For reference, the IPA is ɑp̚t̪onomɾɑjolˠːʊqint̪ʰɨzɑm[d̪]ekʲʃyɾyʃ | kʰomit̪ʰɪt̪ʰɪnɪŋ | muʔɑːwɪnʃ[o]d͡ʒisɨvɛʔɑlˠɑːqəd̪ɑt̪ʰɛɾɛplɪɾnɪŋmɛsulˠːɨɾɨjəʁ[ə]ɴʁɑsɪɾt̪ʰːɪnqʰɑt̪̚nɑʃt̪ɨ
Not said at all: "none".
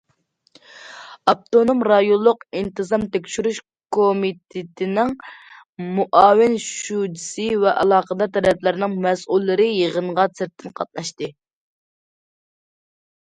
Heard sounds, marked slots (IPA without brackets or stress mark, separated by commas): t̪, u, ə